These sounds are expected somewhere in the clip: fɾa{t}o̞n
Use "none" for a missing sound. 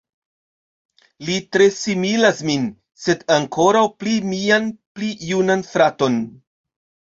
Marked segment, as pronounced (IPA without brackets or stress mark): t